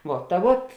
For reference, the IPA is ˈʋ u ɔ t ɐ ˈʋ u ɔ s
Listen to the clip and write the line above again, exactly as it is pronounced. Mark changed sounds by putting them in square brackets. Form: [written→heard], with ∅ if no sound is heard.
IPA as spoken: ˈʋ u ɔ t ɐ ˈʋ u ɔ [s→t]